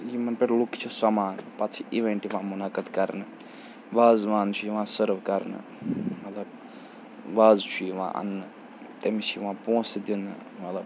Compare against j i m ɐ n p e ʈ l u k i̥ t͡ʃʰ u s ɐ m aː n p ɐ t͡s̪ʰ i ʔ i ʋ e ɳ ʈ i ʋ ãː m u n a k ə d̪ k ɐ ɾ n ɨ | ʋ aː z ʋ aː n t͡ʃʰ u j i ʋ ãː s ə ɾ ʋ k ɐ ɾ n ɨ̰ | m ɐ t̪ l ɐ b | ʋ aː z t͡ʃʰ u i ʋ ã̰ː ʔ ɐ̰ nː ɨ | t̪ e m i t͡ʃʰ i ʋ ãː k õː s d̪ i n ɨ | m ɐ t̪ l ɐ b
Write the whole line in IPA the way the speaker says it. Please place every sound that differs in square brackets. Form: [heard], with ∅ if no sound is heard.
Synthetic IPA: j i m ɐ n p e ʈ l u k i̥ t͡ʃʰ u s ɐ m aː n p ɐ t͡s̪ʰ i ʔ i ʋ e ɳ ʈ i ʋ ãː m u n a k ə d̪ k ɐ ɾ n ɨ | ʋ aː z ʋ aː n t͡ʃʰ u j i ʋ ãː s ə ɾ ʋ k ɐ ɾ n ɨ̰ | m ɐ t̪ l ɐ b | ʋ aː z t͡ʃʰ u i ʋ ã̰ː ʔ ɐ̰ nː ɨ | t̪ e m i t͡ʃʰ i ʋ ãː [p] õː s d̪ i n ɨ | m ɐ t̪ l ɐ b

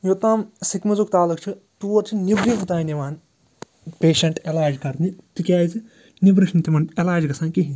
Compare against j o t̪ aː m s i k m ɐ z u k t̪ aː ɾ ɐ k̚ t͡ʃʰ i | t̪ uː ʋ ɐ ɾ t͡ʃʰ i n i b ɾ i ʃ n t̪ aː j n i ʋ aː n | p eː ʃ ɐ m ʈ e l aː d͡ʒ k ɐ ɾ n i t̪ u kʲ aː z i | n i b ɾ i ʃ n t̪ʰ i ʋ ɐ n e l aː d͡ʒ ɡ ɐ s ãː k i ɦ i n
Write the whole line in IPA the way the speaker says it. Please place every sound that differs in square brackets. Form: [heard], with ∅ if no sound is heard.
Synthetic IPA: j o t̪ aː m s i k m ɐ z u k t̪ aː [l] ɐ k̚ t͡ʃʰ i | t̪ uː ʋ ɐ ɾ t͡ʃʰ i n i b ɾ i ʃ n t̪ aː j n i ʋ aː n | p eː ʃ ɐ [ɳ] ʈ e l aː d͡ʒ k ɐ ɾ n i t̪ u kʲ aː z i | n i b ɾ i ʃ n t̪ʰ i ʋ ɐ n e l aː d͡ʒ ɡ ɐ s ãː k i ɦ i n

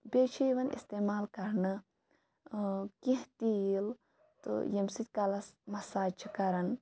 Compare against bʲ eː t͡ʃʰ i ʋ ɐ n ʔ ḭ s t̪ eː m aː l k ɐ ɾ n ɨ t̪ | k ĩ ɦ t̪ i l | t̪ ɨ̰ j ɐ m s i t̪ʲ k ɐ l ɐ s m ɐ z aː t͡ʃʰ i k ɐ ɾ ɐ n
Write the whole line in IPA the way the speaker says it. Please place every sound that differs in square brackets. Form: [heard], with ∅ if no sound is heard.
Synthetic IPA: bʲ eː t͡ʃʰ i ʋ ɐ n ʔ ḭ s t̪ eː m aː l k ɐ ɾ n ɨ [∅] | k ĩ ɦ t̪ i l | t̪ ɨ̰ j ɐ m s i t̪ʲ k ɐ l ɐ s m ɐ [s] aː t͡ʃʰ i k ɐ ɾ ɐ n

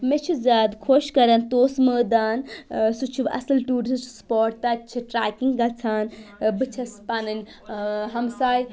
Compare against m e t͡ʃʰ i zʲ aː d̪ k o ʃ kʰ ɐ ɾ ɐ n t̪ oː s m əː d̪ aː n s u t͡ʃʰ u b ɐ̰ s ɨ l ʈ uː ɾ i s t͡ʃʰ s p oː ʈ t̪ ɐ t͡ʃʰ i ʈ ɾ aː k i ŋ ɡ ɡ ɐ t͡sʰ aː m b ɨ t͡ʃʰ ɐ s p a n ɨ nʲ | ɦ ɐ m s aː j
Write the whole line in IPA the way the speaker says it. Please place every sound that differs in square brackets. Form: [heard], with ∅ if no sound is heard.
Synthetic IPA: m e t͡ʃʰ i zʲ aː d̪ [kʰ] o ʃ [k] ɐ ɾ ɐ n t̪ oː s m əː d̪ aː n s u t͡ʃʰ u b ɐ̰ s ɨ l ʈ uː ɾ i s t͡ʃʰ s p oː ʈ t̪ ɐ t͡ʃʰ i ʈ ɾ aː k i ŋ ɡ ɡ ɐ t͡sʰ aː [n] b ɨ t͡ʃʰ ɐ s p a n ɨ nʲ | ɦ ɐ m s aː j

